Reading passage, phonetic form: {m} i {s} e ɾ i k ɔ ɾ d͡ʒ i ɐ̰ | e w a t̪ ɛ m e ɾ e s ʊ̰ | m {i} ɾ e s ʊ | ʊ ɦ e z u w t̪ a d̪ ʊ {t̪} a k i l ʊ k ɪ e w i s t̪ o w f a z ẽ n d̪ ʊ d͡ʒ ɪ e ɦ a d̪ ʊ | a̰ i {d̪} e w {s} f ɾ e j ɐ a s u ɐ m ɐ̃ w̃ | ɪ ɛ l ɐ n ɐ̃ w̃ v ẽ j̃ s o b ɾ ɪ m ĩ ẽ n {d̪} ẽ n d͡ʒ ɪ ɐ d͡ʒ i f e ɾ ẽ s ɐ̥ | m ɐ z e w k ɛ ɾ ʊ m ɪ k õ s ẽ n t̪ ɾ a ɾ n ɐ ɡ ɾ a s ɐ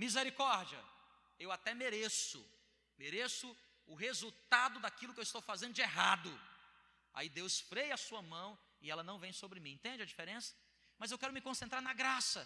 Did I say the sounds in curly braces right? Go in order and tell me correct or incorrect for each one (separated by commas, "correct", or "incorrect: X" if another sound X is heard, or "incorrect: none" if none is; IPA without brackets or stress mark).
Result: correct, incorrect: z, incorrect: e, incorrect: d̪, correct, correct, incorrect: t̪